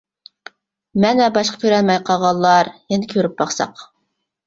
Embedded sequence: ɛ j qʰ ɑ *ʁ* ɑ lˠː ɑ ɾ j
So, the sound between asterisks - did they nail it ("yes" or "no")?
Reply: yes